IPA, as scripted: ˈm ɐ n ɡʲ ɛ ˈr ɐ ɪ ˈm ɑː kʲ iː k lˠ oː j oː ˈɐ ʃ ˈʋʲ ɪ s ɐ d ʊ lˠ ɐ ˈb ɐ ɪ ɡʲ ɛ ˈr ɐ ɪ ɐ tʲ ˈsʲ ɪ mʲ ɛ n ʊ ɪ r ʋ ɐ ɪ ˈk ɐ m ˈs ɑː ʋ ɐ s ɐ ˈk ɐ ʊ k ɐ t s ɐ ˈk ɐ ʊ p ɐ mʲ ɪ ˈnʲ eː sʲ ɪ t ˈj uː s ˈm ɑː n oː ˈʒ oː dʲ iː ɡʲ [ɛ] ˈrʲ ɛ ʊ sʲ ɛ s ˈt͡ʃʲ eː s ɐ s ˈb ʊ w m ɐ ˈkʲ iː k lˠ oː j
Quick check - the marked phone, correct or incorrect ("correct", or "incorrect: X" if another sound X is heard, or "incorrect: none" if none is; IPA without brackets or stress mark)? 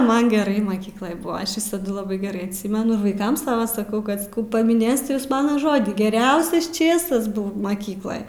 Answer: correct